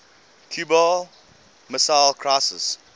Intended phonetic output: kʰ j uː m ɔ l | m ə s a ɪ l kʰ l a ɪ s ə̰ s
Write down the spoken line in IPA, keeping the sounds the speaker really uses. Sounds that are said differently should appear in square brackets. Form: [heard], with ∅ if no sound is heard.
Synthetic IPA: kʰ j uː [b] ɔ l | m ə s a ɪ l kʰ [ɹ] a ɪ s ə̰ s